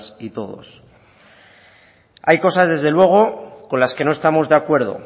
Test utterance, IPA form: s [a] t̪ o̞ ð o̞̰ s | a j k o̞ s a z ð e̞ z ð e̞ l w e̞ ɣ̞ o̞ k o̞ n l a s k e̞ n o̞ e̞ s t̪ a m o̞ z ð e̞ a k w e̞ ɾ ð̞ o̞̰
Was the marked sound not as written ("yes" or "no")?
yes